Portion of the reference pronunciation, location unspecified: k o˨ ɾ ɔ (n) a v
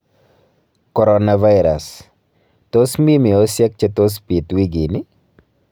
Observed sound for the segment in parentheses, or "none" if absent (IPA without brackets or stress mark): n